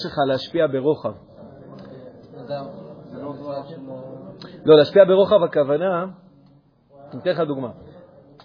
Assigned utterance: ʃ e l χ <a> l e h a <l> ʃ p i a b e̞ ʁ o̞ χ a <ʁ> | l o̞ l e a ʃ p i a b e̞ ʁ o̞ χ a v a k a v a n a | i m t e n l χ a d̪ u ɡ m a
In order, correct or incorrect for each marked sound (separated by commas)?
correct, incorrect, incorrect